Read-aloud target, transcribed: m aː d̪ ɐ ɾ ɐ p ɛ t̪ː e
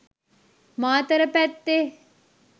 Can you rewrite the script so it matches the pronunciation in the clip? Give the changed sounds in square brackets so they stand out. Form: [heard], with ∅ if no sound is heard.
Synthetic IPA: m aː [t̪] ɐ ɾ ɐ p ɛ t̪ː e